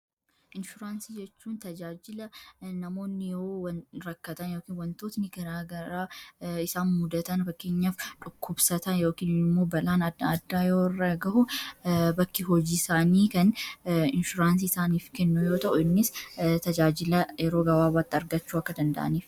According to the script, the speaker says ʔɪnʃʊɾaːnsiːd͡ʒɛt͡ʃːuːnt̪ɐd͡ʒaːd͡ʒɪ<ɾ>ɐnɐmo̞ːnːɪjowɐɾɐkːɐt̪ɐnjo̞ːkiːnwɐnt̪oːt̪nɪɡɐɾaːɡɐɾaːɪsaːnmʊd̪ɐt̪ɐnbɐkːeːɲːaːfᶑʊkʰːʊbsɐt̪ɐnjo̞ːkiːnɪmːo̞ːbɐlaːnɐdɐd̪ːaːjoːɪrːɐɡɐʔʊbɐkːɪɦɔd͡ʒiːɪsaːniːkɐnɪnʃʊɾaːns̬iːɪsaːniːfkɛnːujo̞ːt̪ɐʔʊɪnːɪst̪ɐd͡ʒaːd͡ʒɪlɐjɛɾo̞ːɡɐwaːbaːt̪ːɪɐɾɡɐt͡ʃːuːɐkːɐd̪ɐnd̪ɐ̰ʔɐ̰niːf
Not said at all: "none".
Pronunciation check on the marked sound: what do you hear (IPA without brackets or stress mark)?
l